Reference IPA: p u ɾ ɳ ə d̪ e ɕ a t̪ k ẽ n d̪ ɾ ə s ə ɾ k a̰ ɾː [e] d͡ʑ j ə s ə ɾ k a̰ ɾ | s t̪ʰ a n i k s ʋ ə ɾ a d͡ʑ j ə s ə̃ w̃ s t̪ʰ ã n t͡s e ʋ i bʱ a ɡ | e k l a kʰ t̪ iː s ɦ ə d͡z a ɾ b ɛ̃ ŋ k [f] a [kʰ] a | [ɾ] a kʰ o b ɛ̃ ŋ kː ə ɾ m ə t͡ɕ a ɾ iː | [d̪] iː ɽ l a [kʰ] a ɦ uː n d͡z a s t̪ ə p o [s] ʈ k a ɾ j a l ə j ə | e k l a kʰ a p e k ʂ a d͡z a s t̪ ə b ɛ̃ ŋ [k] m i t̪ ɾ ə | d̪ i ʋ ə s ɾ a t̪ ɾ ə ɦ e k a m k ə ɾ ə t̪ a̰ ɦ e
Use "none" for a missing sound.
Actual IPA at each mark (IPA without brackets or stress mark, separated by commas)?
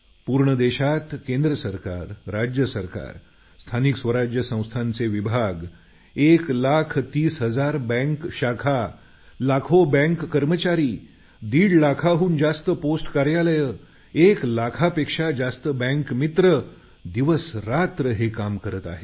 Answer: a, ɕ, kʰ, l, d̪, kʰ, s, k